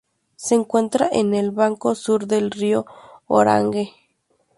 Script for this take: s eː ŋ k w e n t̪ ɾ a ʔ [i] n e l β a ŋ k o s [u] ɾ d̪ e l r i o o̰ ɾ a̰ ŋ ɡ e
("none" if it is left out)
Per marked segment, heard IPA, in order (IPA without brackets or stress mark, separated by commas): e, u